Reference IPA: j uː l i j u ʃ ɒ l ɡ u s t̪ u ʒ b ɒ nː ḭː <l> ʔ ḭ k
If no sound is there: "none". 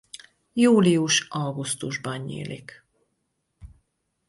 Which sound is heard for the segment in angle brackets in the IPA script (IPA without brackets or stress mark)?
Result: l